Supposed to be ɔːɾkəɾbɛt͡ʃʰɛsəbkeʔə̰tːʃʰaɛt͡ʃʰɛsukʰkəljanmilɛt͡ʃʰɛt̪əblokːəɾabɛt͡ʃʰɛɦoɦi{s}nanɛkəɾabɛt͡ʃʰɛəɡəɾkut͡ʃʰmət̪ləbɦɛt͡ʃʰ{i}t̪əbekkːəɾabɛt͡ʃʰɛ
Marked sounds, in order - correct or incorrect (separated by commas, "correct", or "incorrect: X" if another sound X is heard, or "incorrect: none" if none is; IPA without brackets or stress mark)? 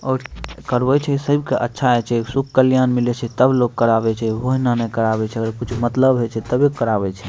incorrect: none, incorrect: ɛ